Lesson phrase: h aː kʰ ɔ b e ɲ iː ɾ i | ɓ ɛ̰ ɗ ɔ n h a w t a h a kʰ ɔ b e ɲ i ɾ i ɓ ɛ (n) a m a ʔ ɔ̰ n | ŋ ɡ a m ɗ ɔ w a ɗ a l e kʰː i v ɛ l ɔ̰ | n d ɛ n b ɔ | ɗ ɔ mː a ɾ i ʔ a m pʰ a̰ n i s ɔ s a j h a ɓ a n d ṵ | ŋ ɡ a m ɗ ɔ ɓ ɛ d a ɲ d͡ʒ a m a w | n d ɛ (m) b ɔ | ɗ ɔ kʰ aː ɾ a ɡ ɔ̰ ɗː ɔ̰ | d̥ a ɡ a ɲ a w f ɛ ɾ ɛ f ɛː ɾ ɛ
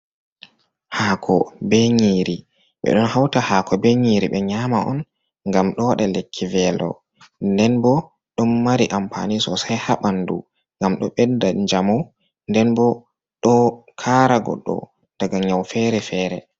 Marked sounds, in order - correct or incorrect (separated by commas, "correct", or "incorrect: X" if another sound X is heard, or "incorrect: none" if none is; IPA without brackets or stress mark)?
incorrect: ɲ, incorrect: n